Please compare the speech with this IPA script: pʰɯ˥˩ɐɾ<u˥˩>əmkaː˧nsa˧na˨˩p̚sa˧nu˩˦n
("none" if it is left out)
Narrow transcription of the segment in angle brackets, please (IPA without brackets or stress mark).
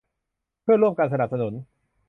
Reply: u˥˩